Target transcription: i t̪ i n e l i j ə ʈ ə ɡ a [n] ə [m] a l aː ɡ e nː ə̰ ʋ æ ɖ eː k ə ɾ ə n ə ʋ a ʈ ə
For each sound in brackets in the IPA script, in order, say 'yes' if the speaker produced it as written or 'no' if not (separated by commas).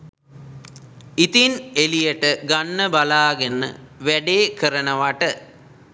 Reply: no, no